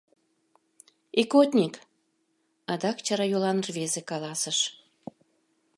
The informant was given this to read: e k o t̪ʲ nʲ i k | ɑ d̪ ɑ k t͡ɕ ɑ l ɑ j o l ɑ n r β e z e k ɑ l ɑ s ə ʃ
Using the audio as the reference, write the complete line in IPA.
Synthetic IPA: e k o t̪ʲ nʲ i k | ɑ d̪ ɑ k t͡ɕ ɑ ɾ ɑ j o l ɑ n r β e z e k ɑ l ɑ s ə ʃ

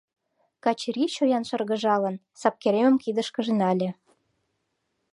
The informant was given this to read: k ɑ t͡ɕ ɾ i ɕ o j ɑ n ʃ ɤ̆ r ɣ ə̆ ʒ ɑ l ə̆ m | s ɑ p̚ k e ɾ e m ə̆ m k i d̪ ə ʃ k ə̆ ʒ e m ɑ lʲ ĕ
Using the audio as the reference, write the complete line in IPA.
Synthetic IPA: k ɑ t͡ɕ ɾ i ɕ o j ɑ n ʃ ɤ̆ r ɣ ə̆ ʒ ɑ l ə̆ n | s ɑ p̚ k e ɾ e m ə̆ m k i d̪ ə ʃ k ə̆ ʒ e n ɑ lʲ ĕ

